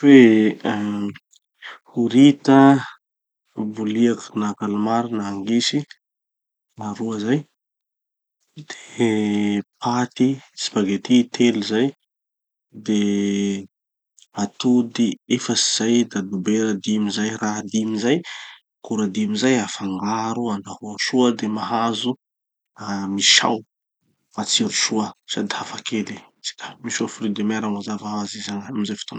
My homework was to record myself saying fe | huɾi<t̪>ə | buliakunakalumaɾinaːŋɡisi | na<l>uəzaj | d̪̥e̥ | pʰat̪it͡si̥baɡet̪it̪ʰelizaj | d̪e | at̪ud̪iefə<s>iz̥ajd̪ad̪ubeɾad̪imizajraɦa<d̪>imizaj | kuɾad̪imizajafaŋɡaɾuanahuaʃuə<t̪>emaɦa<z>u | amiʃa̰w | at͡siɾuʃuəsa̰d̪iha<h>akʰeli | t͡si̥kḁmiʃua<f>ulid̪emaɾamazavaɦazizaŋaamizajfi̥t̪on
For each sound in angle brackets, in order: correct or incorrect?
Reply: correct, incorrect: ɾ, correct, correct, incorrect: d̪, correct, incorrect: f, correct

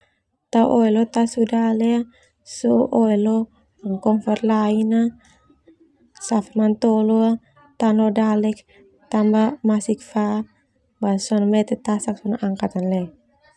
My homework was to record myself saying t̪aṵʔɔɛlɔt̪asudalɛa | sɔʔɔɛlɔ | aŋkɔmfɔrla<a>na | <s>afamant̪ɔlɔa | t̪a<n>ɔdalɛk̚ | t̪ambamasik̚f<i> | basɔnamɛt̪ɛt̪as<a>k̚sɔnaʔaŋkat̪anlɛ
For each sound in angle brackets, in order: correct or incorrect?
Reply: incorrect: i, correct, correct, incorrect: a, correct

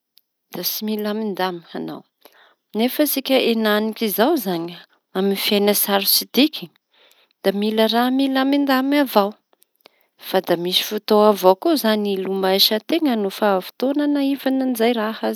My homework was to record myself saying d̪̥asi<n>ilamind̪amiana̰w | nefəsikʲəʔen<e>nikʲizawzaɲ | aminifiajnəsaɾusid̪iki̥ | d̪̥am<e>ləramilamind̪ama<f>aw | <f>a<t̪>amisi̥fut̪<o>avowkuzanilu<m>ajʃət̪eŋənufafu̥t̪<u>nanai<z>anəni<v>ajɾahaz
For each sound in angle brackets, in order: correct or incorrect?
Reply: incorrect: m, incorrect: a, incorrect: i, incorrect: v, correct, incorrect: d̪, correct, correct, incorrect: o, incorrect: v, incorrect: z

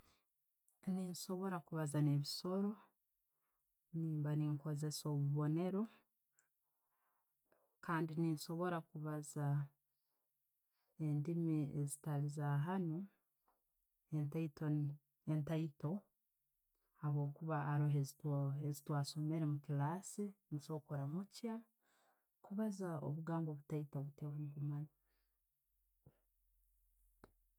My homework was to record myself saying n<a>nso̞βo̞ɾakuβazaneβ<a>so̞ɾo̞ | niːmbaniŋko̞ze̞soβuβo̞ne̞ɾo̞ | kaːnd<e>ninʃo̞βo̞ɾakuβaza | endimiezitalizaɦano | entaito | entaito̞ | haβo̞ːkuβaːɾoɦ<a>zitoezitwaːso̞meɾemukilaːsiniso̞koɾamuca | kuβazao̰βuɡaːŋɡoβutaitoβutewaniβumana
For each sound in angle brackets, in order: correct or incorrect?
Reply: incorrect: i, incorrect: i, incorrect: i, incorrect: e

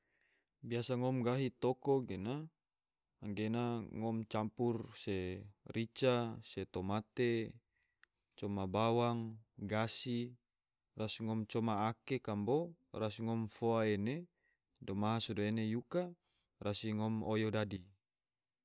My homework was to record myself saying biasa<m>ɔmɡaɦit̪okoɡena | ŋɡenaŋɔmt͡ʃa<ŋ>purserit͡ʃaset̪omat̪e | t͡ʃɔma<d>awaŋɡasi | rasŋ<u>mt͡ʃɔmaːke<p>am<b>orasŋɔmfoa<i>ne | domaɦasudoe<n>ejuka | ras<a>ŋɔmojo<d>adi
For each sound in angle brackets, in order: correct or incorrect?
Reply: incorrect: ŋ, incorrect: m, incorrect: b, incorrect: ɔ, incorrect: k, correct, incorrect: e, correct, incorrect: i, correct

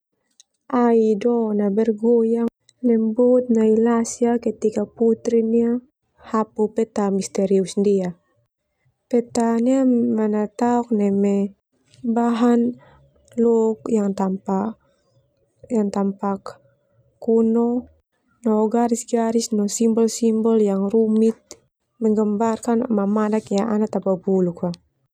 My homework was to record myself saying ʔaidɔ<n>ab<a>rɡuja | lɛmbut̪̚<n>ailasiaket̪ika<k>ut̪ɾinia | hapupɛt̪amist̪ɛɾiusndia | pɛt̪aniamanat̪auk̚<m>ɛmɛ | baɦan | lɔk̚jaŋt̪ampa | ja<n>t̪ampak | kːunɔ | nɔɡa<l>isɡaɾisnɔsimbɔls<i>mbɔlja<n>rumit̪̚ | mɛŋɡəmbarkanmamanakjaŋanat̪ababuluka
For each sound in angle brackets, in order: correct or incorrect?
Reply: correct, incorrect: ɛ, correct, incorrect: p, incorrect: n, incorrect: ŋ, incorrect: ɾ, correct, incorrect: ŋ

